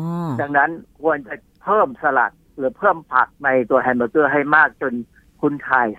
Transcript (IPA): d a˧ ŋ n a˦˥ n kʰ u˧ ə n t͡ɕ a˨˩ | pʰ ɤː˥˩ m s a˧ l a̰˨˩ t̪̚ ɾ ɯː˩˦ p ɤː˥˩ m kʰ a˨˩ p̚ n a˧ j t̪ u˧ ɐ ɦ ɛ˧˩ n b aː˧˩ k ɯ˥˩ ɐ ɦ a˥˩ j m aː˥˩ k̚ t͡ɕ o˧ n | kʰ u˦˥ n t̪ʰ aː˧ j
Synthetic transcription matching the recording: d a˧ ŋ n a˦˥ n kʰ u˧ ə n t͡ɕ a˨˩ | pʰ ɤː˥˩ m s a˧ l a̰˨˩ t̪̚ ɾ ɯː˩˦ pʰ ɤː˥˩ m pʰ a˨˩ k̚ n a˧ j t̪ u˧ ɐ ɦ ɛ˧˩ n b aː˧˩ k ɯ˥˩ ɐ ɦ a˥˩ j m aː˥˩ k̚ t͡ɕ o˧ n | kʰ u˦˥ n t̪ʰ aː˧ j